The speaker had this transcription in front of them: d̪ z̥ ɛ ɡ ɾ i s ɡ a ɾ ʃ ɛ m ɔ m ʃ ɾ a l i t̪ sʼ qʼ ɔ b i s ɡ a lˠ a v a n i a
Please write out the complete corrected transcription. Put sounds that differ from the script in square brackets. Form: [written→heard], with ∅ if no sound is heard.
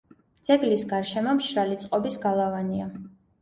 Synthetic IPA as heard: d̪ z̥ ɛ ɡ [ɾ→l] i s ɡ a ɾ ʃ ɛ m ɔ m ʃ ɾ a l i t̪ sʼ qʼ ɔ b i s ɡ a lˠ a v a n i a